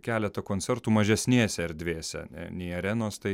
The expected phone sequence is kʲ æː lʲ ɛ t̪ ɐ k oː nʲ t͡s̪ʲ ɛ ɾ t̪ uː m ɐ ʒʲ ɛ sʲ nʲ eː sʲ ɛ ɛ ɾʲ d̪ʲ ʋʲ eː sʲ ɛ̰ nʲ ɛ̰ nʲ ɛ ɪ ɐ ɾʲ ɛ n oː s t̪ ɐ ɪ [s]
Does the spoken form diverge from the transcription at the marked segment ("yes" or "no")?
yes